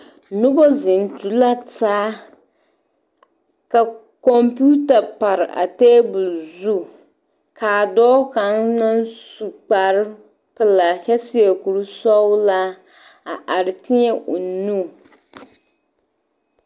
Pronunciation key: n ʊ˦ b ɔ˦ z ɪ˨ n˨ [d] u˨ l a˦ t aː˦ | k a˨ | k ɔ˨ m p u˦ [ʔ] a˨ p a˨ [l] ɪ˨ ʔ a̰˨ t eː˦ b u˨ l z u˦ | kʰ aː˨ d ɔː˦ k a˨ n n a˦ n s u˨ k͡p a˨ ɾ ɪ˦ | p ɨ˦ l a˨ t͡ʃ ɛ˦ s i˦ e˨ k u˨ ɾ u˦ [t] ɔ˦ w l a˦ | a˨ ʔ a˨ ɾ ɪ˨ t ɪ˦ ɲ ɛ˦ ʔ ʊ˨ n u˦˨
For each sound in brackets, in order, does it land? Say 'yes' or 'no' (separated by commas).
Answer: no, no, no, no